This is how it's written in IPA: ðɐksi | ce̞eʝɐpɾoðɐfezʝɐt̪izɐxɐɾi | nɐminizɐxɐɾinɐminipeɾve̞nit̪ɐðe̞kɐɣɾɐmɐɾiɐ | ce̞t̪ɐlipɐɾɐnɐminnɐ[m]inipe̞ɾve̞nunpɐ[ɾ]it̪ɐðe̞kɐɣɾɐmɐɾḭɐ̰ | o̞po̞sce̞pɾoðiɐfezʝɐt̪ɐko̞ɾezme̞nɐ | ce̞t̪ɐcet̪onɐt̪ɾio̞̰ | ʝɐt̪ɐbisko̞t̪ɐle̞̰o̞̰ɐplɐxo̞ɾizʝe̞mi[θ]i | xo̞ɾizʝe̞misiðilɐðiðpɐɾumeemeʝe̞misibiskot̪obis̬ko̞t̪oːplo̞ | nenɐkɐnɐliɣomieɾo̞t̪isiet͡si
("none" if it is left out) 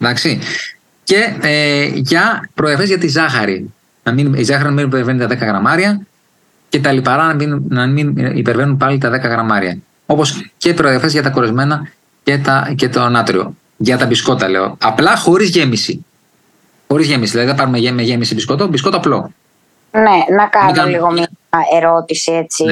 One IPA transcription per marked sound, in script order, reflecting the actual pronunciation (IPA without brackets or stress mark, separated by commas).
m, l, s